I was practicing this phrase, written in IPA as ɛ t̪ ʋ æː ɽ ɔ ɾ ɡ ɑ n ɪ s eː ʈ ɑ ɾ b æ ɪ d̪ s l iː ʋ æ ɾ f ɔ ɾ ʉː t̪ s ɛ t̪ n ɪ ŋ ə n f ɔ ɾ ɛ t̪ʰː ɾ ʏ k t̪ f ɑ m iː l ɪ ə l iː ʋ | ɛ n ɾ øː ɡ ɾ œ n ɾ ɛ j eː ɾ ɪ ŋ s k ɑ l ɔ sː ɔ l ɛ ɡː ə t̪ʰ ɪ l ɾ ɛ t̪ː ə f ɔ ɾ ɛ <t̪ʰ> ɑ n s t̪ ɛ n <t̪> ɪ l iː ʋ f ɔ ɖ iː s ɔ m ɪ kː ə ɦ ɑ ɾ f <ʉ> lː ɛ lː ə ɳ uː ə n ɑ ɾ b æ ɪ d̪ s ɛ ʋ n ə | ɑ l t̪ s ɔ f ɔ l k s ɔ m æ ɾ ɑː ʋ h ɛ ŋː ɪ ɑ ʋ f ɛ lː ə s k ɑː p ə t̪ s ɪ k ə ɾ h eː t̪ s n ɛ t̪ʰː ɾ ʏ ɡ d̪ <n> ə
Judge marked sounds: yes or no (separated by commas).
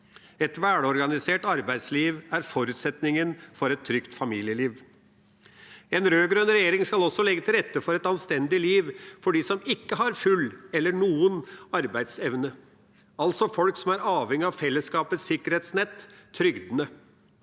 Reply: no, no, yes, yes